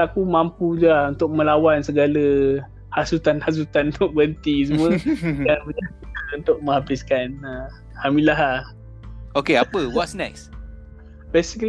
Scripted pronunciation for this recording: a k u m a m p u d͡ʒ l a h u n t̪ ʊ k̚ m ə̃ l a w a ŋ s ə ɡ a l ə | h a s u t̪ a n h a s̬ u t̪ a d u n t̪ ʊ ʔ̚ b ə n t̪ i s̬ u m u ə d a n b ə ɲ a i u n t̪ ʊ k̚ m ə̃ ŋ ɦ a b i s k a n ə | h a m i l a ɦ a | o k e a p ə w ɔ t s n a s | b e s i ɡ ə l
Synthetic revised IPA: a k u m a m p u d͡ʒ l a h u n t̪ ʊ k̚ m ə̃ l a w a n s ə ɡ a l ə | h a s u t̪ a n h a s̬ u t̪ a n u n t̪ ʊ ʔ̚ b ə n t̪ i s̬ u m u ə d a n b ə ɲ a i u n t̪ ʊ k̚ m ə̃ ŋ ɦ a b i s k a n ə | h a m i l a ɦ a | o k e a p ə w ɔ t s n a s | b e s i k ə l